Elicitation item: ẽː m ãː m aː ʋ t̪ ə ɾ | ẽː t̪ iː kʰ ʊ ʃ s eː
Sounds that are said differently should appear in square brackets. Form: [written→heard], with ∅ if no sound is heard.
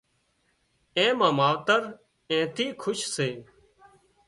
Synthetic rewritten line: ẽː m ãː m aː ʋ t̪ ə ɾ | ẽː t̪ iː kʰ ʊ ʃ s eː